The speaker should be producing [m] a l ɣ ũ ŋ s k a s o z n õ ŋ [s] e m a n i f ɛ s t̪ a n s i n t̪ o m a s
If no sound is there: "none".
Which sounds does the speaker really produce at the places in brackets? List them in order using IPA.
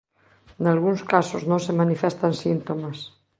n, s

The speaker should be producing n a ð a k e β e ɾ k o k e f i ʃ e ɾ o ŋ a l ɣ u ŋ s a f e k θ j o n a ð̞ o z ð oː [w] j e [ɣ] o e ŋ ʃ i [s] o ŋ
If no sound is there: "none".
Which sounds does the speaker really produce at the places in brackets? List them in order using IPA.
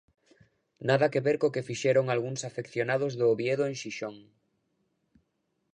β, ð, ʃ

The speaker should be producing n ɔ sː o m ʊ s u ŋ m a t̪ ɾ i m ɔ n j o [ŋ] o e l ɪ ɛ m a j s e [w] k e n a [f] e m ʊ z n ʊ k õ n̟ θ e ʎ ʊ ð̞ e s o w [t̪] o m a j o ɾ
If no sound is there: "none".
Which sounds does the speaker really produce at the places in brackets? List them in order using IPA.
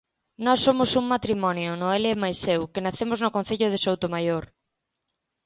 n, w, θ, t̪

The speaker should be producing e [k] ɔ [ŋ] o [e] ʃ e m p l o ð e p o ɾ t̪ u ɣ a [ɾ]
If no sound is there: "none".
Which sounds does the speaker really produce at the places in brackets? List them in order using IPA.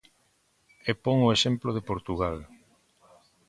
p, ŋ, e, l

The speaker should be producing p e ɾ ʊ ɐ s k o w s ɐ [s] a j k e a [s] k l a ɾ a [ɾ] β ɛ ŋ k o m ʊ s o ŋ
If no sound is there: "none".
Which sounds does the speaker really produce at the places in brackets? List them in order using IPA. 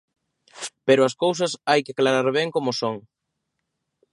s, none, ɾ

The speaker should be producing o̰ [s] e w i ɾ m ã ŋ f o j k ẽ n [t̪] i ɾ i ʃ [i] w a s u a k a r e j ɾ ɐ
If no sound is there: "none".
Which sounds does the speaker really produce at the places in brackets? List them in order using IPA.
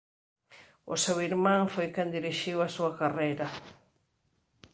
s, d̪, i

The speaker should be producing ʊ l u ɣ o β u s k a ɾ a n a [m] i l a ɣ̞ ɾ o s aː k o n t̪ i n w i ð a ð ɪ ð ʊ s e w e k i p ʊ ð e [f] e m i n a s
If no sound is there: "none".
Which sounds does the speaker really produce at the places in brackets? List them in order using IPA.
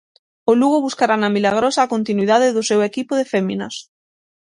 m, f

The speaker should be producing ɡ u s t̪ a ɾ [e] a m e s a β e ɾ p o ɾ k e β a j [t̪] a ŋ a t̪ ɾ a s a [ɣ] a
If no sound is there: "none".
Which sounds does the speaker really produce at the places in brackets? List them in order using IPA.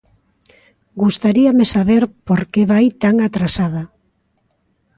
i, t̪, ð

